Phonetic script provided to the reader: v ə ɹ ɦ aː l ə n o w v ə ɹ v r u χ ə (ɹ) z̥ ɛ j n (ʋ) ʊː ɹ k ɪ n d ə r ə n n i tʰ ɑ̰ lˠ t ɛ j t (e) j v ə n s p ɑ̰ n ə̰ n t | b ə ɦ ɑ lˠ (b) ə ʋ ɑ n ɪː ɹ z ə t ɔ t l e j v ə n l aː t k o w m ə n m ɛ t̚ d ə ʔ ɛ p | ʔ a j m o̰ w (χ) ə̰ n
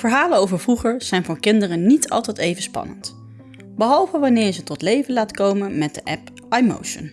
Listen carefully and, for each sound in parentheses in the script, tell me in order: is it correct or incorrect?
correct, incorrect: v, correct, incorrect: v, incorrect: ʃ

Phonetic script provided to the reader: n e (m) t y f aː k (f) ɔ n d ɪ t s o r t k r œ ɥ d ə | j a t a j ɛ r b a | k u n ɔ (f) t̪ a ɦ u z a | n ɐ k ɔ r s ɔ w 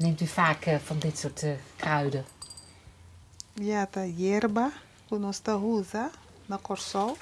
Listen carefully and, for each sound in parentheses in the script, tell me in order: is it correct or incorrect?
correct, correct, incorrect: s

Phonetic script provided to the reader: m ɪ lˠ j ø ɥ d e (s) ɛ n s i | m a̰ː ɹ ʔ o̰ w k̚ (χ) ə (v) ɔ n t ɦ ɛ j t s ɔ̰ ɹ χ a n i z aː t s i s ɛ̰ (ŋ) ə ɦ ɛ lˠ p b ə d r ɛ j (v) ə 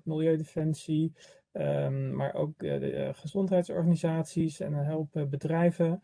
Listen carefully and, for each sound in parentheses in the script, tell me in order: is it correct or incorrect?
incorrect: f, correct, incorrect: z, incorrect: n, correct

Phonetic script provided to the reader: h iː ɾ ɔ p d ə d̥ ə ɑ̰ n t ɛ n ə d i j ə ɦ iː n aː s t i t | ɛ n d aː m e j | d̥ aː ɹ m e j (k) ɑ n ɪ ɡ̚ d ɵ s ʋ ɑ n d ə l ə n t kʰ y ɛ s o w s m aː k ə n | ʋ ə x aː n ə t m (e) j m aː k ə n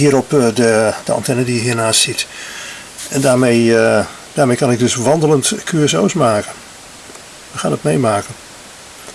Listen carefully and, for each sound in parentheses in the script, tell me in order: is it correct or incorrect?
correct, correct

